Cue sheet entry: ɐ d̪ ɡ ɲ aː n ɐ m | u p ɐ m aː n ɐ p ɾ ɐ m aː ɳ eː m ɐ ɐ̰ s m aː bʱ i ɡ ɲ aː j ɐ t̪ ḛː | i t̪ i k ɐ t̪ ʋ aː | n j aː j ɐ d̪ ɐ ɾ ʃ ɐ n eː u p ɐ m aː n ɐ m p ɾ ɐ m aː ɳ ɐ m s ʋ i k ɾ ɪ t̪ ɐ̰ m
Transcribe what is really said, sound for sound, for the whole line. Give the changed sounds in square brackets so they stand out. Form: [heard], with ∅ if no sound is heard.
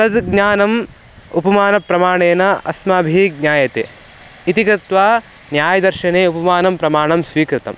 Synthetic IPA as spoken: ɐ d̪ ɡ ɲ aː n ɐ m | u p ɐ m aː n ɐ p ɾ ɐ m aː ɳ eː [n] ɐ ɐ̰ s m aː bʱ i ɡ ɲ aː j ɐ t̪ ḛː | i t̪ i k ɐ t̪ ʋ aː | n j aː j ɐ d̪ ɐ ɾ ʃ ɐ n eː u p ɐ m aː n ɐ m p ɾ ɐ m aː ɳ ɐ m s ʋ [iː] k ɾ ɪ t̪ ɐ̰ m